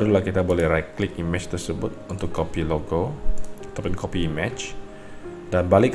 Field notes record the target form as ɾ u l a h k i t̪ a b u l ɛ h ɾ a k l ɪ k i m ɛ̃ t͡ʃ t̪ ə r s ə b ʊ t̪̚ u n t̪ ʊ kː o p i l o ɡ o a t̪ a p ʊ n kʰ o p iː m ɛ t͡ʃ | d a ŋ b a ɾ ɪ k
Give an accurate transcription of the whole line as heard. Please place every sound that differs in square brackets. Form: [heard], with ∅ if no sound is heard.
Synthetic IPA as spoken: ɾ u l a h k i t̪ a b [o] l ɛ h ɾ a k l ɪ k i m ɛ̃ t͡ʃ t̪ ə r s ə b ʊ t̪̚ u n t̪ ʊ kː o p i l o ɡ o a t̪ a p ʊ n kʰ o p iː m ɛ t͡ʃ | d a [n] b a [l] ɪ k